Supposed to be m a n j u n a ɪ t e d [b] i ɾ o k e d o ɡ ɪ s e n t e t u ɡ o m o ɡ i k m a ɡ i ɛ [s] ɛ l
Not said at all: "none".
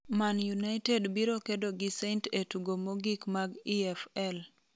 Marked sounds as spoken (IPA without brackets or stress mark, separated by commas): b, f